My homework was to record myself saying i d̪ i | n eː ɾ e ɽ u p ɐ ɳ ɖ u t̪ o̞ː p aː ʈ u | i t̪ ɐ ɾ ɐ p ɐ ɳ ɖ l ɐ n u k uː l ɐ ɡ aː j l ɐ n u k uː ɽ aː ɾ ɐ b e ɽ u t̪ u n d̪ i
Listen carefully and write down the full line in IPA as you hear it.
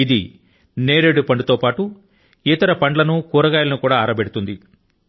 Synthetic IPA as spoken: i d̪ i | n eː ɾ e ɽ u p ɐ ɳ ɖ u t̪ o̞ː p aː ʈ u | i t̪ ɐ ɾ ɐ p ɐ ɳ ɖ l ɐ n u k uː ɾ ɐ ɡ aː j l ɐ n u k uː ɽ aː ɾ ɐ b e ɽ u t̪ u n d̪ i